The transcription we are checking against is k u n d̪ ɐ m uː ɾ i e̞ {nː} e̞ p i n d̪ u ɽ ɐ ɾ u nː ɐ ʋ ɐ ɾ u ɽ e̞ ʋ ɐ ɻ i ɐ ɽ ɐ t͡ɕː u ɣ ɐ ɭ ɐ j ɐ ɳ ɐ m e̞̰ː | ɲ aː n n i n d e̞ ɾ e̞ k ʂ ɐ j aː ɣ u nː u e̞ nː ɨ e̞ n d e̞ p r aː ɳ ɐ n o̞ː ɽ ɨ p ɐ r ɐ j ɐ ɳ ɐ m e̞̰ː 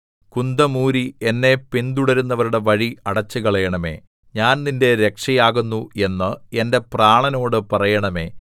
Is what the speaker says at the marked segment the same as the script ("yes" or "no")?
yes